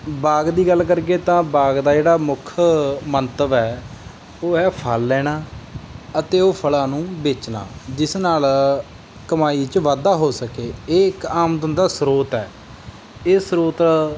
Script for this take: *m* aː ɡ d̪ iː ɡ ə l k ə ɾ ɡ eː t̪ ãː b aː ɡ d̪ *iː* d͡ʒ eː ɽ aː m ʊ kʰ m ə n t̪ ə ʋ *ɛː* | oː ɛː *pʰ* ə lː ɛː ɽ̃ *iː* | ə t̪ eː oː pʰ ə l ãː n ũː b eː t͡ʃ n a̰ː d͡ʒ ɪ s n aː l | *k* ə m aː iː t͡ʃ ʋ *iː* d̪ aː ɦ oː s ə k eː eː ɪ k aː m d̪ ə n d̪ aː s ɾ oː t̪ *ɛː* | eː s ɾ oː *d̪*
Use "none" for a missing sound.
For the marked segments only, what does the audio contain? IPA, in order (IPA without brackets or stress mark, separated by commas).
b, aː, ɛː, pʰ, aː, k, aː, ɛː, t̪